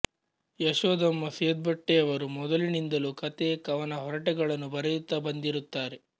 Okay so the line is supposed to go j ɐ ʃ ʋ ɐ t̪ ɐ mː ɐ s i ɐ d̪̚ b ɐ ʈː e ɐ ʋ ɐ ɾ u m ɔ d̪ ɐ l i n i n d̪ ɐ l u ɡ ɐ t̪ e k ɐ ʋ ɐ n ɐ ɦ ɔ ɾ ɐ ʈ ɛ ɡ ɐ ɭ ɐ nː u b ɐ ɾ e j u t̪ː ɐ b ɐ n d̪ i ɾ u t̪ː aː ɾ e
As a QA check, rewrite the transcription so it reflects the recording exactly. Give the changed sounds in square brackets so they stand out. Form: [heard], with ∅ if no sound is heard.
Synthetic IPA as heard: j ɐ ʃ ʋ ɐ [d̪] ɐ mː ɐ s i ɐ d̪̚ b ɐ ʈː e ɐ ʋ ɐ ɾ u m ɔ d̪ ɐ l i n i n d̪ ɐ l u [k] ɐ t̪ e k ɐ ʋ ɐ n ɐ ɦ ɔ ɾ ɐ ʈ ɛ ɡ ɐ ɭ ɐ nː u b ɐ ɾ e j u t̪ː ɐ b ɐ n d̪ i ɾ u t̪ː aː ɾ e